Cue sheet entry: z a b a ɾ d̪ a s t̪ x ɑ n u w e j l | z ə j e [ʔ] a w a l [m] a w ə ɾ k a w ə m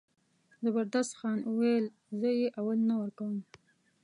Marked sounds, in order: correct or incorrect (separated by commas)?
correct, incorrect